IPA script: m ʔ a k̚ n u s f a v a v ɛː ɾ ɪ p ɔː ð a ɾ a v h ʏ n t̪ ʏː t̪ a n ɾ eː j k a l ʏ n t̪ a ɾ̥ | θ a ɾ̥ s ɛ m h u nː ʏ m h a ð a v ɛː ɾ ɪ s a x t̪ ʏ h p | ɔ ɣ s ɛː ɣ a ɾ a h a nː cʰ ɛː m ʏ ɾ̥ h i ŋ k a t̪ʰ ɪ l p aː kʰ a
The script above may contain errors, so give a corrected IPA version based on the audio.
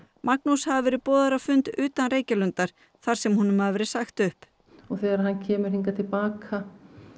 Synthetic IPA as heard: m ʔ a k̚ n u s h a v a v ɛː ɾ ɪ p ɔː ð a ɾ a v f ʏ n t̪ ʏː t̪ a n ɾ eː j c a l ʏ n t̪ a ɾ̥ | θ a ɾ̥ s ɛ m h u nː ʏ m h a ð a v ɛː ɾ ɪ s a x t̪ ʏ h p | ɔ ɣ θ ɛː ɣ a ɾ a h a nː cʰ ɛː m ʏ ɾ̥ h i ŋ k a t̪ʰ ɪ l p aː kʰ a